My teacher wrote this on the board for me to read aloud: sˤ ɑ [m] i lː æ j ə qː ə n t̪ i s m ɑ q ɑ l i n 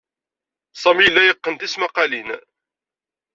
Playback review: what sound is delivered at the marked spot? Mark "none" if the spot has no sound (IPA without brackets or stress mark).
m